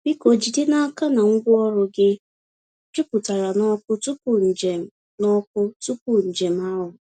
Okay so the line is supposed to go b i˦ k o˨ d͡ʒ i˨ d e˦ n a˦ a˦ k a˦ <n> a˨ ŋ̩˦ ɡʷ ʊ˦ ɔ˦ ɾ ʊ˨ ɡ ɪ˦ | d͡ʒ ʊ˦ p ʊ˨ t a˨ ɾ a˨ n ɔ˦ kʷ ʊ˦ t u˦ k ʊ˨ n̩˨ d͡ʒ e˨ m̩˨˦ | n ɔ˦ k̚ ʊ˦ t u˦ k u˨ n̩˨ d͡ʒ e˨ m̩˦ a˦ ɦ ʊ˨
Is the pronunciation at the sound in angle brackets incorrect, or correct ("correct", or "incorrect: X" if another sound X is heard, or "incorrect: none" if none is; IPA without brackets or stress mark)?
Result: correct